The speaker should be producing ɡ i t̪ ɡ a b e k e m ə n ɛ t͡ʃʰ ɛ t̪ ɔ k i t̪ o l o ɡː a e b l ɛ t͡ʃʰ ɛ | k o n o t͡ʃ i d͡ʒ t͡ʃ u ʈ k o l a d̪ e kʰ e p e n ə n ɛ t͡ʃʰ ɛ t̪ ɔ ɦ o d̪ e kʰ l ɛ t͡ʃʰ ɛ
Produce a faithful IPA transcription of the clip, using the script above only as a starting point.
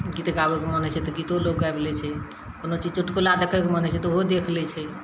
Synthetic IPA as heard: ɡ i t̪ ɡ a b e k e m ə n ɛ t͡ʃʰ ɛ t̪ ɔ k i t̪ o l o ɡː a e b l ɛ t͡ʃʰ ɛ | k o n o t͡ʃ i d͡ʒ t͡ʃ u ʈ k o l a d̪ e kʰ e k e m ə n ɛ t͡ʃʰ ɛ t̪ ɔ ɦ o d̪ e kʰ l ɛ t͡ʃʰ ɛ

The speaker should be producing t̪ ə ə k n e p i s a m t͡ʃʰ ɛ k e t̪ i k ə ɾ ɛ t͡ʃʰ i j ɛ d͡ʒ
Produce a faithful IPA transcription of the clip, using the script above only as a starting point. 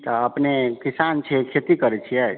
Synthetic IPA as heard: t̪ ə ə p n e k i s a n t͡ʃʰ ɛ kʰ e t̪ i k ə ɾ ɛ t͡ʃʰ i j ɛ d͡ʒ

